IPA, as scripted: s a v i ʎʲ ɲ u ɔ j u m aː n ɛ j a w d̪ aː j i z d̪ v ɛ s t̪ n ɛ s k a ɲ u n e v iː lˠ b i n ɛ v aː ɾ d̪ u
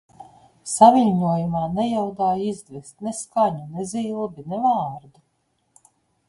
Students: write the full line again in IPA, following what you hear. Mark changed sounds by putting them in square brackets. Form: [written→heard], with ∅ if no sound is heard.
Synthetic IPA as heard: s a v i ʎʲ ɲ u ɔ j u m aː n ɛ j a w d̪ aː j i z d̪ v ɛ s t̪ n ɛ s k a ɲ u n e [v→z] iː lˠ b i n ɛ v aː ɾ d̪ u